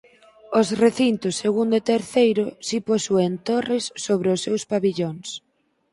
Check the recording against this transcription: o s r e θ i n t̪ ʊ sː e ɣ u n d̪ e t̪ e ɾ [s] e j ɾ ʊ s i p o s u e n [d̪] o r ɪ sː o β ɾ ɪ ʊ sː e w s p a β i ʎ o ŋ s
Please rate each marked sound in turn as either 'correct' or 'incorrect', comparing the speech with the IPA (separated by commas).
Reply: incorrect, incorrect